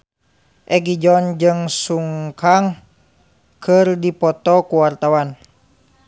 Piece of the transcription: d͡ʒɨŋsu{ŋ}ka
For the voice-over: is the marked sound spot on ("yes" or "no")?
yes